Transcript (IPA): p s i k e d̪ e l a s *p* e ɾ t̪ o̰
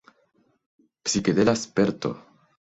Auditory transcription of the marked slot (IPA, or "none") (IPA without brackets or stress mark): p